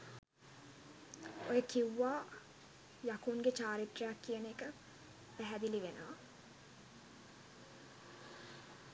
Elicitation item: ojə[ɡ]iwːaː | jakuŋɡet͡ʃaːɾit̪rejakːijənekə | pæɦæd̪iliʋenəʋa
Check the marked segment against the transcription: incorrect: k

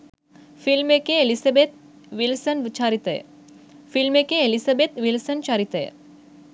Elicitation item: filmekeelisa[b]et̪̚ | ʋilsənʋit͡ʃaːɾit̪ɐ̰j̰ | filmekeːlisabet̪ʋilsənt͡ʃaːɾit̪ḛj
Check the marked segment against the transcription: correct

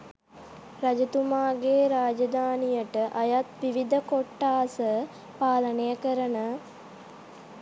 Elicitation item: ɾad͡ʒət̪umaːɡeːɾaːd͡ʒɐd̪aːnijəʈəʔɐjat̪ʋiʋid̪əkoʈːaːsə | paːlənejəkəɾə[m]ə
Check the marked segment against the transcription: incorrect: n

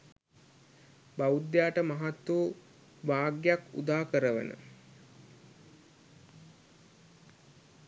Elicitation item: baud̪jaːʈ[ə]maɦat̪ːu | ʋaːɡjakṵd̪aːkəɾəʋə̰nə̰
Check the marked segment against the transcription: correct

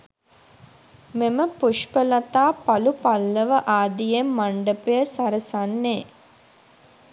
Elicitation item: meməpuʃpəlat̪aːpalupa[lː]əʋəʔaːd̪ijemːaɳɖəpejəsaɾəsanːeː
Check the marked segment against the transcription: correct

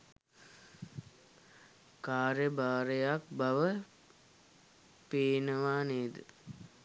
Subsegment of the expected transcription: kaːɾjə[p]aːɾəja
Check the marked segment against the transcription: incorrect: b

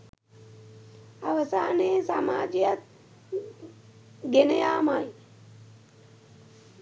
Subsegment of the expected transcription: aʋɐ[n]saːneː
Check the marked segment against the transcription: incorrect: none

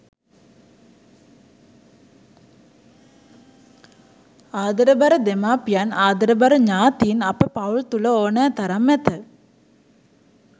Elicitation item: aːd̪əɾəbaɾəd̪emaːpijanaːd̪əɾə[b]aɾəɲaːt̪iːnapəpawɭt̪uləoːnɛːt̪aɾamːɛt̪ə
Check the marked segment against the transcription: correct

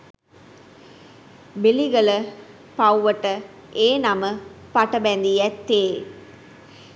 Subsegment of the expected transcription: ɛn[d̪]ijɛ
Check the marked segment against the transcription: correct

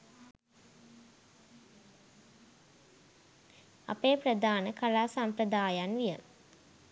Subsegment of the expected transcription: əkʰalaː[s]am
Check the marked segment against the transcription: correct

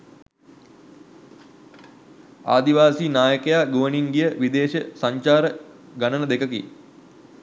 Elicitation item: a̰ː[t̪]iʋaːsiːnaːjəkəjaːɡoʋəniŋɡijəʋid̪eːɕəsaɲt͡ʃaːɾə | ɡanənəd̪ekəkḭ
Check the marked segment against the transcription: incorrect: d̪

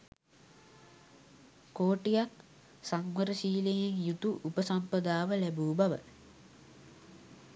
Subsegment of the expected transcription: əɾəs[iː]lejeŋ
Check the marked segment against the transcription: correct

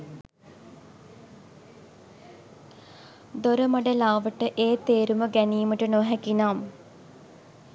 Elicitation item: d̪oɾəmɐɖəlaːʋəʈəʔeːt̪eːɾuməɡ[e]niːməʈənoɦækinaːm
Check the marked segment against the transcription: incorrect: æ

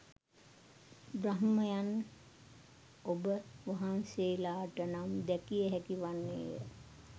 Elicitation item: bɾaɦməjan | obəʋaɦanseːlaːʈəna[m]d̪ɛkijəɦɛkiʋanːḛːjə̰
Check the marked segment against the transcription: correct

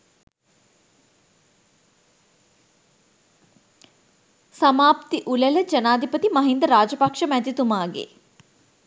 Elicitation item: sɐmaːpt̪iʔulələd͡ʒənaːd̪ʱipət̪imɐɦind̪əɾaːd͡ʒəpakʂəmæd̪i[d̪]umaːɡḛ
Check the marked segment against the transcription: incorrect: t̪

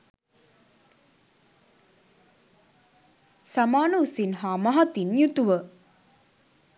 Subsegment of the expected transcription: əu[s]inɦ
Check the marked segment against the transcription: correct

